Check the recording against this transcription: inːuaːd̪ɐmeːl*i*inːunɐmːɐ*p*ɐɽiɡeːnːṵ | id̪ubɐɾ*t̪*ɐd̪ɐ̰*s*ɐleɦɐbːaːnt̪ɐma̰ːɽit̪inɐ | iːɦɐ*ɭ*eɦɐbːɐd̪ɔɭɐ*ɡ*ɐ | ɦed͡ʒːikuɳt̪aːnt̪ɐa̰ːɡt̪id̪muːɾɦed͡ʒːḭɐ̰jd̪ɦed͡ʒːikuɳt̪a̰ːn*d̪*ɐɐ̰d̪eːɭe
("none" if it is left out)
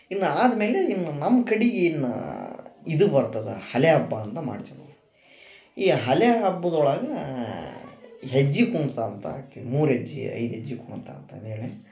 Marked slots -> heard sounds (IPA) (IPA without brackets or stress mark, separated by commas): e, k, t̪, h, l, ɡ, t̪